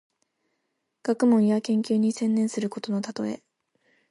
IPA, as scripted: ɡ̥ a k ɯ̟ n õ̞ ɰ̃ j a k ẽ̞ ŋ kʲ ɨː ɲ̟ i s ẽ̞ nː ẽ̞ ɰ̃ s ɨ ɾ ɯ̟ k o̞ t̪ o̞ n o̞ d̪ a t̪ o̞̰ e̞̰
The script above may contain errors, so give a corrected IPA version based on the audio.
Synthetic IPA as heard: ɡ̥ a k ɯ̟ m õ̞ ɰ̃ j a k ẽ̞ ŋ kʲ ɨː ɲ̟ i s ẽ̞ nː ẽ̞ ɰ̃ s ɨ ɾ ɯ̟ k o̞ t̪ o̞ n o̞ t̪ a t̪ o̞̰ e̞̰